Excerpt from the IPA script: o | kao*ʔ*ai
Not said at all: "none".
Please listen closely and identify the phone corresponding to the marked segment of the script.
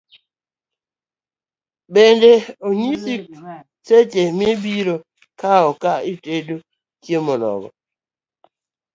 k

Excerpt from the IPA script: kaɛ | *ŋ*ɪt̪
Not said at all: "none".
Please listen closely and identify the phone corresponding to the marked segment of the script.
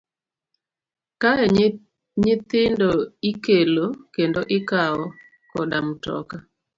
ɲ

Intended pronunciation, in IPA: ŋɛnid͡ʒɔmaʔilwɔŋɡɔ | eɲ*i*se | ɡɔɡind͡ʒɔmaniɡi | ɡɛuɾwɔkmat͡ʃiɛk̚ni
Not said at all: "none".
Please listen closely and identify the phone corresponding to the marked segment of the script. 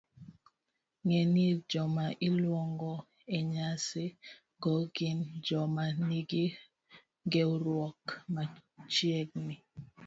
a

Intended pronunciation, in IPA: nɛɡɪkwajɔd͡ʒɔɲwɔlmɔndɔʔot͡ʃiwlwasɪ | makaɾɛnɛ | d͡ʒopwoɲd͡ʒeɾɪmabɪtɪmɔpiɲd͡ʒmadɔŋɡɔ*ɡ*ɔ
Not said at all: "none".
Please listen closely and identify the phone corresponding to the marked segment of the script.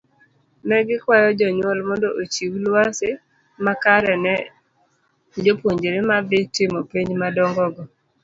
ɡ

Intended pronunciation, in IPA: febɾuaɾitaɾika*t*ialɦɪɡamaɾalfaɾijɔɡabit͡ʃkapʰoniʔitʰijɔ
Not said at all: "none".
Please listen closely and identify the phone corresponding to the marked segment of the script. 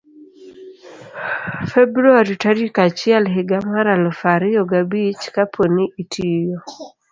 t͡ʃ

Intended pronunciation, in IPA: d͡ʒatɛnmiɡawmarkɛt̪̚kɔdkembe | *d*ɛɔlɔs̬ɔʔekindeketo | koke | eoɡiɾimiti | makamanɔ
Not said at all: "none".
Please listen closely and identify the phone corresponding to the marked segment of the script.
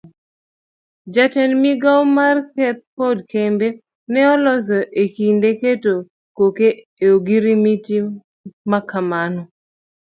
n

